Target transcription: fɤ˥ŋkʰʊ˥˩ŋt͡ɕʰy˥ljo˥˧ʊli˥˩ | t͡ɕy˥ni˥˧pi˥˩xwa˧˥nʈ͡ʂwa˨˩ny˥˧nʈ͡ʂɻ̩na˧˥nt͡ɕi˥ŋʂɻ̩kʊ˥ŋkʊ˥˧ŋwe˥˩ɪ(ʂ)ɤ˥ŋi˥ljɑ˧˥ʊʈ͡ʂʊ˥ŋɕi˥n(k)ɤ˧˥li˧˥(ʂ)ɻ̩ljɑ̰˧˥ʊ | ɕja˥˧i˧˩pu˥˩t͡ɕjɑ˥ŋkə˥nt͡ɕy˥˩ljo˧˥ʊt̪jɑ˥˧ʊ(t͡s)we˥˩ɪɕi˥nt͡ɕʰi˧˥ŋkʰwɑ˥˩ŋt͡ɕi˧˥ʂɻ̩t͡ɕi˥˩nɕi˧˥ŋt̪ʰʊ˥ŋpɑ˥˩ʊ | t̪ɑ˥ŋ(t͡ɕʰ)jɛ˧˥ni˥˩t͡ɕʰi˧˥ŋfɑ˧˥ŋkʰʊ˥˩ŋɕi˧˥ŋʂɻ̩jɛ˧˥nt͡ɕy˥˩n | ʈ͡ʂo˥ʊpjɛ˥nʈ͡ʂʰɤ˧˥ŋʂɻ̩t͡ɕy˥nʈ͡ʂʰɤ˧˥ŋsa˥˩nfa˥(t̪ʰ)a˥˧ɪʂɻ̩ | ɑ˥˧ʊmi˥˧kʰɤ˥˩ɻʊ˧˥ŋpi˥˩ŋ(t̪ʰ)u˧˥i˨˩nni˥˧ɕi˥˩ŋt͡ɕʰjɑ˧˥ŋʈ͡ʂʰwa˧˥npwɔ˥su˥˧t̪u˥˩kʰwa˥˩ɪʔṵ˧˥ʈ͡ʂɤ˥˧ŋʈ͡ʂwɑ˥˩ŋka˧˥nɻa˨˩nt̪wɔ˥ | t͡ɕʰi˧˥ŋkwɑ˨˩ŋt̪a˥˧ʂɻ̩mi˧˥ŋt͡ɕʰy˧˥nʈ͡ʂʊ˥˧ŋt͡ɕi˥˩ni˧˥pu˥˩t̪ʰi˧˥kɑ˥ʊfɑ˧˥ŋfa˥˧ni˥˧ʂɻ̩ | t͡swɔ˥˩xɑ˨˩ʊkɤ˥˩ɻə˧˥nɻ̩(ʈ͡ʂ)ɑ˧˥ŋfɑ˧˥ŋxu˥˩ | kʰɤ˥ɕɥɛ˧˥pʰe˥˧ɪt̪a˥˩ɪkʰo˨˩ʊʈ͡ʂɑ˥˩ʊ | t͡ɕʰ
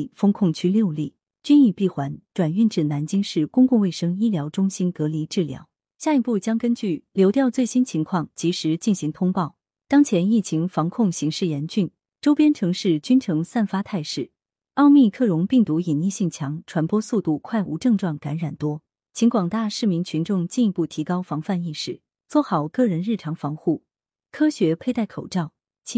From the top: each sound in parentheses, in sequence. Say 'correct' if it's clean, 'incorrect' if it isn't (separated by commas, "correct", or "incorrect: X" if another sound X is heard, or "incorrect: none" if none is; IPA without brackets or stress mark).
correct, correct, incorrect: ʈ͡ʂ, correct, correct, correct, incorrect: t̪, incorrect: ʈ͡ʂʰ